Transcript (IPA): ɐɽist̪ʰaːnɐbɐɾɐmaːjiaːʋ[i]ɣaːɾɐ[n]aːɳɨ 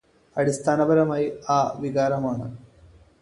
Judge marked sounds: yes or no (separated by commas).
yes, no